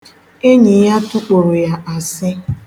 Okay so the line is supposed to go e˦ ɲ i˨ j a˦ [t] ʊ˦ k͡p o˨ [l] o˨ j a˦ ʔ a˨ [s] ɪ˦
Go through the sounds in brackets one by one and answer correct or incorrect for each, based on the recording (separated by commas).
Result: correct, incorrect, correct